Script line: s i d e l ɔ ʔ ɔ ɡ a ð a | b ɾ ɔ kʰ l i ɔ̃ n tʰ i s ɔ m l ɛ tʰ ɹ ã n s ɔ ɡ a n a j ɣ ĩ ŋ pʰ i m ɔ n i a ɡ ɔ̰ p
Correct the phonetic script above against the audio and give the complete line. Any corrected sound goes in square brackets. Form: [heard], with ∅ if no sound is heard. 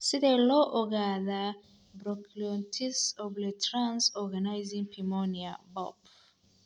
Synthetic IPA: s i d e l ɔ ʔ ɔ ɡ a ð a | b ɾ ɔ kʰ l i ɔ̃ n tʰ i s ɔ [b] l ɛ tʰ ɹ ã n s ɔ ɡ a n a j [z] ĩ ŋ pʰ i m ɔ n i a [b] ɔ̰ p